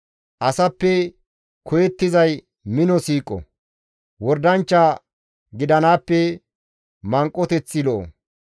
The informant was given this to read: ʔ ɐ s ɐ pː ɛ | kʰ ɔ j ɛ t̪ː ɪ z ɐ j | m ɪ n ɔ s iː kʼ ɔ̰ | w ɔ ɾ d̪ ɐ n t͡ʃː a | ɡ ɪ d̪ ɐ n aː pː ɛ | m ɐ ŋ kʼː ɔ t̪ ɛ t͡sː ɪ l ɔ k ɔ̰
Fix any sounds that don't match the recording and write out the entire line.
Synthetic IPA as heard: ʔ ɐ s ɐ pː ɛ | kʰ ɔ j ɛ t̪ː ɪ z ɐ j | m ɪ n ɔ s iː kʼ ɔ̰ | w ɔ ɾ d̪ ɐ n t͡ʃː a | ɡ ɪ d̪ ɐ n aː pː ɛ | m ɐ ŋ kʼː ɔ t̪ ɛ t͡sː ɪ l ɔ ʔ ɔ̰